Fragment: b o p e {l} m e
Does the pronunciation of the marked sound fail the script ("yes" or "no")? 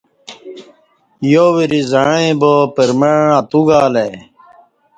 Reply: yes